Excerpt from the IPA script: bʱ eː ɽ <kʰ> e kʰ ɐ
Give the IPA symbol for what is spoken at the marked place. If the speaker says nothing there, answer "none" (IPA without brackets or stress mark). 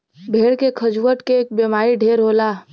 k